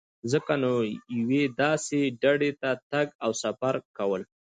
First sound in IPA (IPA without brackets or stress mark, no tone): z